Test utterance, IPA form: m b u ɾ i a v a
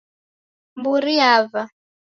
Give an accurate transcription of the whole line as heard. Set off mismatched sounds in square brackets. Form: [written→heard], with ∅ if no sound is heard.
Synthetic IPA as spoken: m b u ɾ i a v a